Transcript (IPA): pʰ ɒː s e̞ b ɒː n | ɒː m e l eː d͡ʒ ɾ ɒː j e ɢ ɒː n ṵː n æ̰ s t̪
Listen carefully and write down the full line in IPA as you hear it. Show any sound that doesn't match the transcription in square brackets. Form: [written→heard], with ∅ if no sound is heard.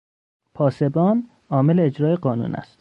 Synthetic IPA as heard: pʰ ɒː s e̞ b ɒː n | ɒː m e l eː d͡ʒ ɾ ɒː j e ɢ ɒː n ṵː n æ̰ s t̪

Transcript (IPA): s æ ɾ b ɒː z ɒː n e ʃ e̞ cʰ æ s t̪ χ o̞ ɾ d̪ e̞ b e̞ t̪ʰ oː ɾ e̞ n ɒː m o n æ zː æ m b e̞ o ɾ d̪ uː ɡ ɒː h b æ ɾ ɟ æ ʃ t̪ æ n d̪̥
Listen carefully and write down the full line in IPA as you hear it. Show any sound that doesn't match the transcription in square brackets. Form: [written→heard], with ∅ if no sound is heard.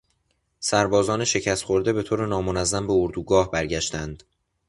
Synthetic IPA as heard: s æ ɾ b ɒː z ɒː n e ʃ e̞ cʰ æ s t̪ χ o̞ ɾ d̪ e̞ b e̞ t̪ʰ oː ɾ e̞ n ɒː m o n æ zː æ m b e̞ o ɾ d̪ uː ɡ ɒː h b æ ɾ ɟ æ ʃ t̪ æ n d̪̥

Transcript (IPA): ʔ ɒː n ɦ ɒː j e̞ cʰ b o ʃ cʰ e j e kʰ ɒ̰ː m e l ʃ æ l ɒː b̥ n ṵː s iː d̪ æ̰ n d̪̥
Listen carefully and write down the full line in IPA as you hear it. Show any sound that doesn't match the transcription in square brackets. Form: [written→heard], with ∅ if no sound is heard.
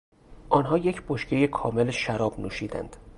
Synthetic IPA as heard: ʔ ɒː n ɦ ɒː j e̞ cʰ b o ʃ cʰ e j e kʰ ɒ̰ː m e l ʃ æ [l→ɾ] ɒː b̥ n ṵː [s→ʃ] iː d̪ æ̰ n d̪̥

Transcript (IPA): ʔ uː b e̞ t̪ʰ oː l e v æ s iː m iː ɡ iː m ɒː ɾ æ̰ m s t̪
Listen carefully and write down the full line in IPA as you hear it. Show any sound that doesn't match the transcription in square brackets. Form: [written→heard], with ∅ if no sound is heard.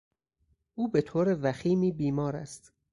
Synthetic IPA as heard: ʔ uː b e̞ t̪ʰ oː [l→ɾ] e v æ [s→x] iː m iː [ɡ→b] iː m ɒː ɾ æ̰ [m→∅] s t̪

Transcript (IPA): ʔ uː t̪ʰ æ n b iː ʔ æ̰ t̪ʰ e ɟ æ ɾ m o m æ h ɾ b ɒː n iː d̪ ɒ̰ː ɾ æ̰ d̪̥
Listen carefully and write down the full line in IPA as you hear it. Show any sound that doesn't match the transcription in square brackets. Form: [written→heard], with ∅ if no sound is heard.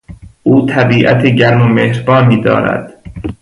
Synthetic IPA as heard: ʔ uː t̪ʰ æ [n→∅] b iː ʔ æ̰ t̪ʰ e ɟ æ ɾ m o m [æ→e] h ɾ b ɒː n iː d̪ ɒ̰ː ɾ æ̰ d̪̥

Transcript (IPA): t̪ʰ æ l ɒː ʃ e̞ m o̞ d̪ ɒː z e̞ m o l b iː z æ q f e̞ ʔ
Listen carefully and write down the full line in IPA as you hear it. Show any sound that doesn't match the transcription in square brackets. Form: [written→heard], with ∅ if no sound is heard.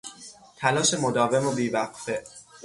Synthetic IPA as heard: t̪ʰ æ l ɒː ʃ e̞ m o̞ d̪ ɒː [z→v] e̞ m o [l→∅] b iː [z→v] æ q f e̞ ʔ

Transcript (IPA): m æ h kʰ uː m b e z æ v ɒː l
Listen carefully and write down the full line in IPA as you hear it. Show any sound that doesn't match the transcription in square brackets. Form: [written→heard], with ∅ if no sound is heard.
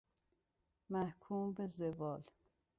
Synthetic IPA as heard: m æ h kʰ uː m b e z [æ→e] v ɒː l

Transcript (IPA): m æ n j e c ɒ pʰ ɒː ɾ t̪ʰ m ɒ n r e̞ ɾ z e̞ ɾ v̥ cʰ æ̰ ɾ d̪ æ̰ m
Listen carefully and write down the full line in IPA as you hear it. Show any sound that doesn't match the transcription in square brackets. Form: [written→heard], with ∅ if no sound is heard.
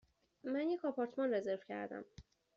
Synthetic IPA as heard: m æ n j e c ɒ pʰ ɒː ɾ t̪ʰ m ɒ n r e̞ [ɾ→∅] z e̞ ɾ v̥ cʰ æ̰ ɾ d̪ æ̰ m

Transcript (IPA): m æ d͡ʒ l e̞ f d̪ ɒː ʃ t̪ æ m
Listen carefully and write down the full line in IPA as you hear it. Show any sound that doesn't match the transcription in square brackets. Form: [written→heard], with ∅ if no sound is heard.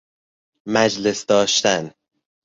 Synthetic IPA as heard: m æ d͡ʒ l e̞ [f→s] d̪ ɒː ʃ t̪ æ [m→n]

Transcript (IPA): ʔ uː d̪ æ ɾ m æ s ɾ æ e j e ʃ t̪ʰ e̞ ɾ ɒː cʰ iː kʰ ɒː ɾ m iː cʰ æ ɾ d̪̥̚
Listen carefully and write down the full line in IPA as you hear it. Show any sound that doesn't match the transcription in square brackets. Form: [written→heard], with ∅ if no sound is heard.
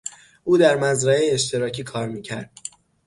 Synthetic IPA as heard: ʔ uː d̪ æ ɾ m æ [s→z] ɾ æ e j e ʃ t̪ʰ e̞ ɾ ɒː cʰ iː kʰ ɒː ɾ m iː cʰ æ ɾ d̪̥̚

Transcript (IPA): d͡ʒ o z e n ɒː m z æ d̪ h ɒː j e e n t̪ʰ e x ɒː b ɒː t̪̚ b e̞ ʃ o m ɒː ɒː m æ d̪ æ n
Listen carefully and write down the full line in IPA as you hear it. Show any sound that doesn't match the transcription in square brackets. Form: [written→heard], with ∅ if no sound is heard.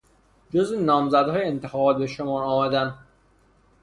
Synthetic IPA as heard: d͡ʒ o z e n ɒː m z æ d̪ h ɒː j e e n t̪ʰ e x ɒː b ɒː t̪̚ b e̞ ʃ o m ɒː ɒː m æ d̪ æ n

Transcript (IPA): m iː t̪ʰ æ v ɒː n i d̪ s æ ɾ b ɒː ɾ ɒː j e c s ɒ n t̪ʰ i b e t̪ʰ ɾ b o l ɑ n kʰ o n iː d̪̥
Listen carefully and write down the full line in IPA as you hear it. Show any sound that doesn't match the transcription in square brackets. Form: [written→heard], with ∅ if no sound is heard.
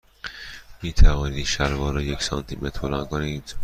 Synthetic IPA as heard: m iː t̪ʰ æ v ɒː n i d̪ [s→ʃ] æ ɾ [b→v] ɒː ɾ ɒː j e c s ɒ n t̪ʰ i [b→m] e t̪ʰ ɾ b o l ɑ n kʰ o n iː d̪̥

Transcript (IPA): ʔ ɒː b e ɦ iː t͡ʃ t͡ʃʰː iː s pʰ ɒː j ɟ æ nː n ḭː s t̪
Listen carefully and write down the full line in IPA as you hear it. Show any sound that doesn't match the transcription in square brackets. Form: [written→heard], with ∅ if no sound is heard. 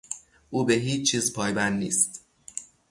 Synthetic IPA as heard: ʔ [ɒː→uː] b e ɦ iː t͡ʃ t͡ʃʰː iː [s→z] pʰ ɒː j [ɟ→b] æ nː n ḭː s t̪

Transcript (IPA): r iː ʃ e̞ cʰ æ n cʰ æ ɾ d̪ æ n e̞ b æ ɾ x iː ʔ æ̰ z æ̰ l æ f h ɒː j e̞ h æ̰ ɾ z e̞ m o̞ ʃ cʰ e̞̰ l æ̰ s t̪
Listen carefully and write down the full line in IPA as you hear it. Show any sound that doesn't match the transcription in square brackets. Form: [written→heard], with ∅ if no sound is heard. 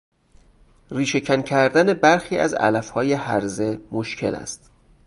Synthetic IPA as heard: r iː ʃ e̞ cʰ æ n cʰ æ ɾ d̪ æ n e̞ b æ ɾ x iː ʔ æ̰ z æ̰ l æ f h ɒː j e̞ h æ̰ ɾ z e̞ m o̞ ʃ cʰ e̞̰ l æ̰ s t̪

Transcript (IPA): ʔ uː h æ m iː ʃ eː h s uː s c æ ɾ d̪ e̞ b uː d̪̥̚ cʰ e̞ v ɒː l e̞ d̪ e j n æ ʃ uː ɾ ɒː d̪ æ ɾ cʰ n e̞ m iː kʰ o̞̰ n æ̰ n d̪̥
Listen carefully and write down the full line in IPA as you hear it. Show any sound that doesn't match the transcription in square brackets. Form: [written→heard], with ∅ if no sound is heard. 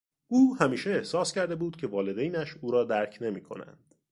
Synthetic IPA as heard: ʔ uː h æ m iː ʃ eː h s [uː→ɒː] s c æ ɾ d̪ e̞ b uː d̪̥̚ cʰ e̞ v ɒː l e̞ d̪ e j n æ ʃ uː ɾ ɒː d̪ æ ɾ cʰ n e̞ m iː kʰ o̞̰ n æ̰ n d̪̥

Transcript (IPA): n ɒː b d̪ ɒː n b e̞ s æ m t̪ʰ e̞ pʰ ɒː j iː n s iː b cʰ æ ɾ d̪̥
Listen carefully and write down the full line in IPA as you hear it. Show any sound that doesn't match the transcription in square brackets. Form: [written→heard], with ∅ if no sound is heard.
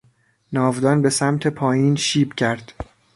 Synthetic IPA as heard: n ɒː [b→v] d̪ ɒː n b e̞ s æ m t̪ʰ e̞ pʰ ɒː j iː n [s→ʃ] iː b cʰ æ ɾ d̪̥

